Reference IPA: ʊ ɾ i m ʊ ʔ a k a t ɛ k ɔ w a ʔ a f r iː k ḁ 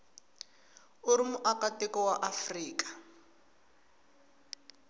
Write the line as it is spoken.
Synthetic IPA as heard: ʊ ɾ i m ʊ ʔ a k a t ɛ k ɔ w a ʔ a f r iː k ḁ